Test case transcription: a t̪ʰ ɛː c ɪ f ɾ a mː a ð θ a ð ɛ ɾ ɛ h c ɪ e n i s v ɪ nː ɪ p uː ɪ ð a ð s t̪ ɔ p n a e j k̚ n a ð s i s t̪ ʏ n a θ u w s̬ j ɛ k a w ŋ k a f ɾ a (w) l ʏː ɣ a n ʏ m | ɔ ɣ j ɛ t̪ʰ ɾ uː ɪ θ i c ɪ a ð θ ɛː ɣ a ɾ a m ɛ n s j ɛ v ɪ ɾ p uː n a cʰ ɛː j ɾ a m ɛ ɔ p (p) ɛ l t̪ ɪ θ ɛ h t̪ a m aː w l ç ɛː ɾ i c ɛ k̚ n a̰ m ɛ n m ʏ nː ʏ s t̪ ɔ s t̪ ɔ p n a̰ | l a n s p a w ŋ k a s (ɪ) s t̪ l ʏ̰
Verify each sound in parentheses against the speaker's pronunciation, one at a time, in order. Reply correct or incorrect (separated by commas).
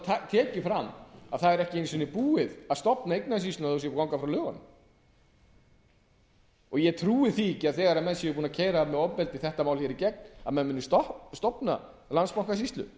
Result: correct, correct, incorrect